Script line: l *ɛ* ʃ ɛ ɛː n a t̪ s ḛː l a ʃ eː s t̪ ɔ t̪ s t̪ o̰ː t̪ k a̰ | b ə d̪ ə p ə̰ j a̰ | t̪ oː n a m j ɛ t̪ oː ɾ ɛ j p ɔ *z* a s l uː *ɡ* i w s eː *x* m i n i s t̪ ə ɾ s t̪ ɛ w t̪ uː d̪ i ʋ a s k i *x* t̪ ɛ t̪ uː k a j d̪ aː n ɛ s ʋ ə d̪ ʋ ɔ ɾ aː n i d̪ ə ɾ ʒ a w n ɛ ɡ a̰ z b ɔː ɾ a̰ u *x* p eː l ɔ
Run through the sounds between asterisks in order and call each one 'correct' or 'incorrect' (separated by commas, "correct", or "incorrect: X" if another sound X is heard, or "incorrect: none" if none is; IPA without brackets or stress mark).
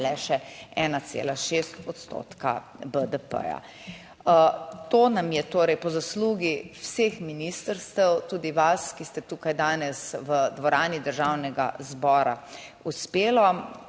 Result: correct, correct, correct, correct, incorrect: s, incorrect: s